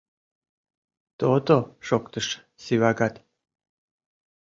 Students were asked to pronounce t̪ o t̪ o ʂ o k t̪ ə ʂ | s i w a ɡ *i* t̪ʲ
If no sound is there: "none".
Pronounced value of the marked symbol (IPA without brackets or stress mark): a